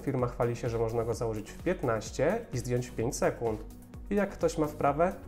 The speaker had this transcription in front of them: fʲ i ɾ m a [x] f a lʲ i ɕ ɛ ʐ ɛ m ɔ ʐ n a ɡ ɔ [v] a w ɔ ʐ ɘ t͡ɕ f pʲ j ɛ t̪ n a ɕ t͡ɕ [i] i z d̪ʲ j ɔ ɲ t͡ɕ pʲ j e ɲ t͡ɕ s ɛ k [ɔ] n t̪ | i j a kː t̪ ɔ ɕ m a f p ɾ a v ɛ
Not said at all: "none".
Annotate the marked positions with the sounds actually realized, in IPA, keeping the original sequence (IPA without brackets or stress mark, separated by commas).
x, z, ɛ, u